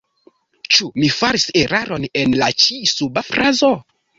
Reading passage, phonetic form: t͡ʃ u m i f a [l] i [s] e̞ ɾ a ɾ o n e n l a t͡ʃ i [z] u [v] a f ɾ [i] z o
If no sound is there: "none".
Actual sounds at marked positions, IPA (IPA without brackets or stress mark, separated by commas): ɾ, s, s, b, a